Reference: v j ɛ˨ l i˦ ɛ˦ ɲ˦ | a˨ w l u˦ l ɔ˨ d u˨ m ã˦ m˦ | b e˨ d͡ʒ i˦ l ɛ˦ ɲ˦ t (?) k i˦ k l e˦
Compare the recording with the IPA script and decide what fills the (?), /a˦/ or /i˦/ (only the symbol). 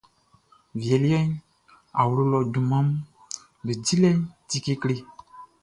i˦